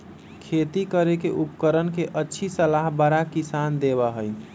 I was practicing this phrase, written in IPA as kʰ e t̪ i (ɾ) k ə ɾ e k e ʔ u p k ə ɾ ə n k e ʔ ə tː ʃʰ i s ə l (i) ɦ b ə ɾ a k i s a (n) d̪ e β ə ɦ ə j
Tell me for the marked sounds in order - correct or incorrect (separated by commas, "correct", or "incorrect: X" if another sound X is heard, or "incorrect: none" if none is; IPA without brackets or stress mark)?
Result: incorrect: none, incorrect: a, correct